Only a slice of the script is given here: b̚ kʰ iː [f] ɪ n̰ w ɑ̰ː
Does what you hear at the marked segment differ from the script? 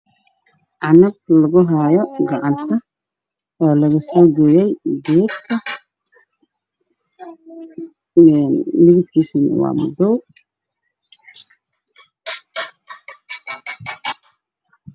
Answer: yes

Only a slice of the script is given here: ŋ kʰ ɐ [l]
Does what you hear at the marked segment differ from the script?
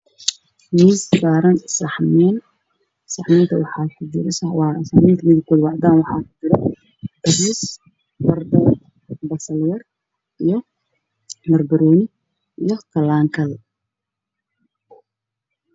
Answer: no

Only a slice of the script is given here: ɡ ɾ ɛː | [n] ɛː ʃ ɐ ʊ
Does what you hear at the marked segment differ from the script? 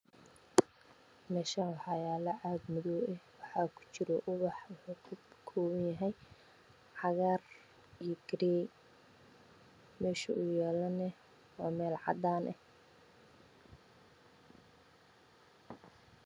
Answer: yes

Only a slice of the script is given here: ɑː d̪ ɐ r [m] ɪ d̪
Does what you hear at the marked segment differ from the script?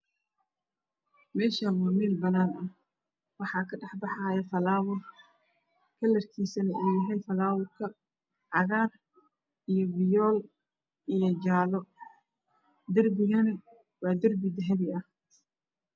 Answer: yes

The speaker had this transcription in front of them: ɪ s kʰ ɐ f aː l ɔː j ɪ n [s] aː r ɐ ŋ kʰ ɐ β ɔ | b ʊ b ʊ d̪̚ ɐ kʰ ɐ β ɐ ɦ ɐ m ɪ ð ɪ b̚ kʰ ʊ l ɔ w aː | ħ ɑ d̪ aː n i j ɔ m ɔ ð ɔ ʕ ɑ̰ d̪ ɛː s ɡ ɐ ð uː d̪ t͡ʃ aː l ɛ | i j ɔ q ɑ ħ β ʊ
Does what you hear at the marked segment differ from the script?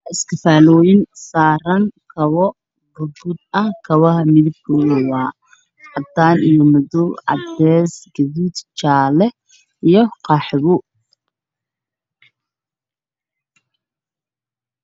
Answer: no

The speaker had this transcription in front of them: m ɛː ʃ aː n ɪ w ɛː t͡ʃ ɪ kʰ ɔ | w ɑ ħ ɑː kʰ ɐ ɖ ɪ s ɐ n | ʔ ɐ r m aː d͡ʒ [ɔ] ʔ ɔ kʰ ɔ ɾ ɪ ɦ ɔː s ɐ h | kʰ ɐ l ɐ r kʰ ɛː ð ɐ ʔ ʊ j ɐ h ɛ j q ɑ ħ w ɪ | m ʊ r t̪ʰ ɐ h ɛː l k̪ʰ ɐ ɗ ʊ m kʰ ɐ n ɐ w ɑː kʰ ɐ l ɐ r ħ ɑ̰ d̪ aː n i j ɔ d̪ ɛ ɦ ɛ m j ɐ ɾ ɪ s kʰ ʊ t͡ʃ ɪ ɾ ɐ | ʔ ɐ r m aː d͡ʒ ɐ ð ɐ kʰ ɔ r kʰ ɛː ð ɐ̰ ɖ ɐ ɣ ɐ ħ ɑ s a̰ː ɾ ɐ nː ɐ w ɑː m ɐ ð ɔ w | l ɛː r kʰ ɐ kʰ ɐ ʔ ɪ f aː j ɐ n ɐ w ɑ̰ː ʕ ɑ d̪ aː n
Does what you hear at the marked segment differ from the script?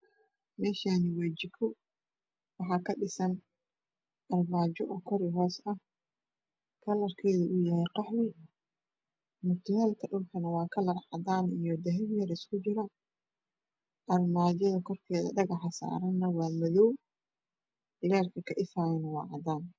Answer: no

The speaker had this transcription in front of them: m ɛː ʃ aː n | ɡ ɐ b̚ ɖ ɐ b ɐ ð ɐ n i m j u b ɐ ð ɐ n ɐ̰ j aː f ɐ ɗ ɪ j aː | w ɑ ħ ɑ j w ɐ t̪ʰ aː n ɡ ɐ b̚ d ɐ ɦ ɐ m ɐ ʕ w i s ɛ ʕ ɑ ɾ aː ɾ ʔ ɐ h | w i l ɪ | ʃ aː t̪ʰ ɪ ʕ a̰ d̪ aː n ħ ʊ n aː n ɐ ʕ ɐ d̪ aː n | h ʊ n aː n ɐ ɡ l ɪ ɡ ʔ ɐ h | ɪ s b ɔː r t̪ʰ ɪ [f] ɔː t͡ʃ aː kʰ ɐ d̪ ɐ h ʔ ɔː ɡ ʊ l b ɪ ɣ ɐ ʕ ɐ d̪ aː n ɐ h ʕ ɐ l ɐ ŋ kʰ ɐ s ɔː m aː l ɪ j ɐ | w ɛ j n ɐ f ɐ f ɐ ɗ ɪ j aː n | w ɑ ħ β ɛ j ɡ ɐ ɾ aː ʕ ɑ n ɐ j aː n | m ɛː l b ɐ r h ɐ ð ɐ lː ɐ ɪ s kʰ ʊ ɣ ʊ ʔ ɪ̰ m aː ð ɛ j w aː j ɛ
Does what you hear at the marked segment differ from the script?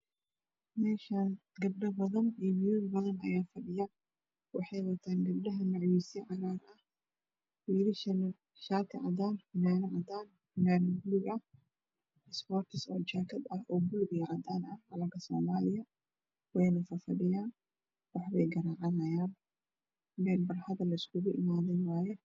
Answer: yes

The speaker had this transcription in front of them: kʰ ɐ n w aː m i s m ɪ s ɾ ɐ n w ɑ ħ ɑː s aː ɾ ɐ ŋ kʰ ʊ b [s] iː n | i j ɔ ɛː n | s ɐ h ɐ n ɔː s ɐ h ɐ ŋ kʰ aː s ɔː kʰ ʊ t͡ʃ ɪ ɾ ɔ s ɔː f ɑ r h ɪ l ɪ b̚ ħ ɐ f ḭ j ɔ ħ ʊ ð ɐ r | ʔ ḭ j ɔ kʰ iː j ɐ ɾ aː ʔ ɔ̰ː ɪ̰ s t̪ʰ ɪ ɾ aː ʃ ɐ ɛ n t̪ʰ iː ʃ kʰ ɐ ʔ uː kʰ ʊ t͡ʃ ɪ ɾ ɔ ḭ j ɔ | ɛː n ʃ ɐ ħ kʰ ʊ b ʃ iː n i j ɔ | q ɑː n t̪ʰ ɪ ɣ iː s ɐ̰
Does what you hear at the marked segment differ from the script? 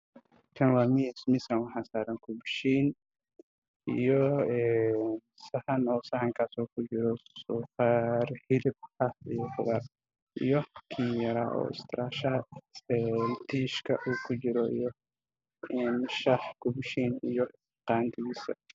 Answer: yes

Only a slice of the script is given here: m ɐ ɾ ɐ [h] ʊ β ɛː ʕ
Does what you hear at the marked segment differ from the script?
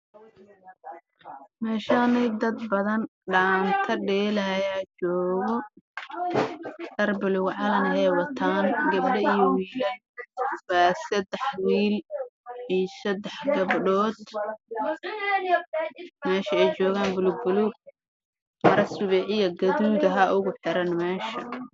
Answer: yes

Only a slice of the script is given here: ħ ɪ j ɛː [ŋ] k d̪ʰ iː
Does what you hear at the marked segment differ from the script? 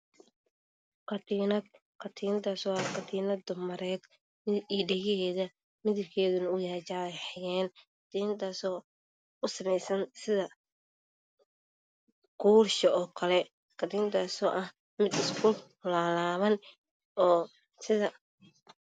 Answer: yes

